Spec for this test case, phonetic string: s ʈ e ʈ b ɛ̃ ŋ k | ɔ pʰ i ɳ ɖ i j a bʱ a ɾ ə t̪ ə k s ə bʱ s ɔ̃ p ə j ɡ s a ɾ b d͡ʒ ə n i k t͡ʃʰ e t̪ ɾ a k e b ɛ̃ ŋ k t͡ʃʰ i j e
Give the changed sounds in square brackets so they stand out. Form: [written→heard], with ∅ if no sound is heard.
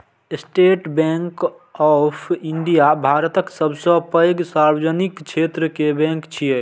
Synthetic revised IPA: s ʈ e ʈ b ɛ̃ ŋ k | ɔ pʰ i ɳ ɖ i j a bʱ a ɾ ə t̪ ə k s ə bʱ s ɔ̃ p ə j ɡ s a ɾ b d͡ʒ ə n i k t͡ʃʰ e t̪ ɾ [a→ə] k e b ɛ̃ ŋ k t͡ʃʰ i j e